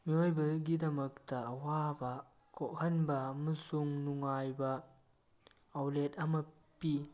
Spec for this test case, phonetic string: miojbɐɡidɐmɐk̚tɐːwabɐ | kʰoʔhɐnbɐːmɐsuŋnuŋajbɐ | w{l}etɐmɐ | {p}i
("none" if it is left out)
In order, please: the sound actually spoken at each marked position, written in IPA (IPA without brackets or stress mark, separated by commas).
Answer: l, p